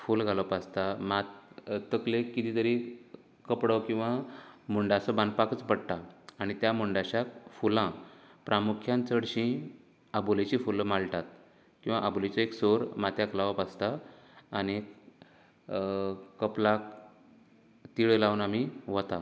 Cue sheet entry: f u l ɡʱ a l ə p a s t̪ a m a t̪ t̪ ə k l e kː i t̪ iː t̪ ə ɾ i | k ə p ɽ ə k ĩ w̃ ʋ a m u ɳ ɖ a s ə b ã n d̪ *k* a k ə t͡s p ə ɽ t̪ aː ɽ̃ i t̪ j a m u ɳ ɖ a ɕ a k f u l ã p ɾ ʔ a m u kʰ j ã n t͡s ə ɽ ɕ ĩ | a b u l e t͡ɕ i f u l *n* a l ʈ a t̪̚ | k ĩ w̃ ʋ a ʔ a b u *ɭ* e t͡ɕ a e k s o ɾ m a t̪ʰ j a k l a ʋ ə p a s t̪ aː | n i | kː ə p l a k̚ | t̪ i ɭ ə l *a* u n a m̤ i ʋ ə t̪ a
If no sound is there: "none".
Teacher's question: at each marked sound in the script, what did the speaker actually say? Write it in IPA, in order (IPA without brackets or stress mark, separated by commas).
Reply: p, m, l, a